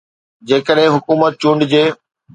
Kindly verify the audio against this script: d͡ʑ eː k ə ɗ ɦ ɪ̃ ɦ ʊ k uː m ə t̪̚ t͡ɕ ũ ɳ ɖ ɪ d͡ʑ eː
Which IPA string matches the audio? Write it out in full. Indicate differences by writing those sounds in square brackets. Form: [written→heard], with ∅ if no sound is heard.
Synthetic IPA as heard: d͡ʑ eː k ə ɗ ɦ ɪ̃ ɦ ʊ k uː m ə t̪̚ t͡ɕ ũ ɳ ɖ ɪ d͡ʑ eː